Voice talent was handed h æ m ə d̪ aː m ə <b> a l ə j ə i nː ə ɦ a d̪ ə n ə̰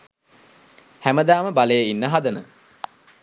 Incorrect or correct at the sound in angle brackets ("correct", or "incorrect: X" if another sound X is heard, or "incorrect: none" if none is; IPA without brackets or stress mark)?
correct